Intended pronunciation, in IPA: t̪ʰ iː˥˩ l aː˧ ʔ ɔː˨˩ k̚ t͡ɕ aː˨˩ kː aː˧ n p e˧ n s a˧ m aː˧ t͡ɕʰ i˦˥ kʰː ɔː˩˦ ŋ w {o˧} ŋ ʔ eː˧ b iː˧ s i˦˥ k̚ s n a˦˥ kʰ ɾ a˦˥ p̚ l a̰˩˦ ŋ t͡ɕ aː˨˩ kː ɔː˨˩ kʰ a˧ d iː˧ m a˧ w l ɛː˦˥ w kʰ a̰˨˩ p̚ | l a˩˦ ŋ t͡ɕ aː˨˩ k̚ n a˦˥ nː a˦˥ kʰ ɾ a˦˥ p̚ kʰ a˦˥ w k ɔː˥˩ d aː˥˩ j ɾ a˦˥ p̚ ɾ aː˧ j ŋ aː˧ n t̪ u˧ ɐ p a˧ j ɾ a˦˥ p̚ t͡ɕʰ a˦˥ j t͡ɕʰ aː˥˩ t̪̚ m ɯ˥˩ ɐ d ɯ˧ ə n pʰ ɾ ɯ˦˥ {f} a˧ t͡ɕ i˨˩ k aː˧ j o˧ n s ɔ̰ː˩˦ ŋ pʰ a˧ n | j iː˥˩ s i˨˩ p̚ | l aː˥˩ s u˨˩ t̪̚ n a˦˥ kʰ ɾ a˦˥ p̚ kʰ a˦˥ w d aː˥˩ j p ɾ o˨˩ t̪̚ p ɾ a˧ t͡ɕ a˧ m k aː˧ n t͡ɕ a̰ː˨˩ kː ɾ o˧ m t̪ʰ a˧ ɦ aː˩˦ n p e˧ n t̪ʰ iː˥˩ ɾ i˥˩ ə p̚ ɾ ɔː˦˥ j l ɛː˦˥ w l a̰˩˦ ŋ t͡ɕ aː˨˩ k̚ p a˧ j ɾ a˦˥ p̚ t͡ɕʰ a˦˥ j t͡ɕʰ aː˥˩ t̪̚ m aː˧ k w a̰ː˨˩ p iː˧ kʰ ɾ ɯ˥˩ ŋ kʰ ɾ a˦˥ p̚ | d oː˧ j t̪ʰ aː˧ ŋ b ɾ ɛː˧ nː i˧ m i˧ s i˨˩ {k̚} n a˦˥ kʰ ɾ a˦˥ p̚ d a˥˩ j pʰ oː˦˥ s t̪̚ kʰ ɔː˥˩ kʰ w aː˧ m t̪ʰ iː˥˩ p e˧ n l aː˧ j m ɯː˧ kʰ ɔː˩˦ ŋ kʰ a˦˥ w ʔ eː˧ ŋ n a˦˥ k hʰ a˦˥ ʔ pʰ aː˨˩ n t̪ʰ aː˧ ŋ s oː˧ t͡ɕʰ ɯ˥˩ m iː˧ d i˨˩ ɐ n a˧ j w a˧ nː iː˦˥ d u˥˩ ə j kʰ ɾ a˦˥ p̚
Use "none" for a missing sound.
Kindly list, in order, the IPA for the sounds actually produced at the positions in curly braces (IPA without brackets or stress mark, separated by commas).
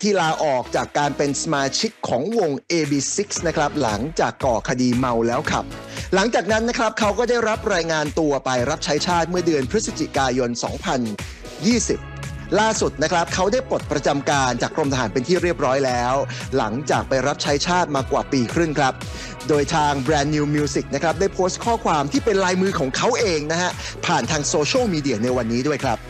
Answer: o˧, s, k̚